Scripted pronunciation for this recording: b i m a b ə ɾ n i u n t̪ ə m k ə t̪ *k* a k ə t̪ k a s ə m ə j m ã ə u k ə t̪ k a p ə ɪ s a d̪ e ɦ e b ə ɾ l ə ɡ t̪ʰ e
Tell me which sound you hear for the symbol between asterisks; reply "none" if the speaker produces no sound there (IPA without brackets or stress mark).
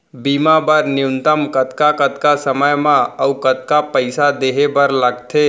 k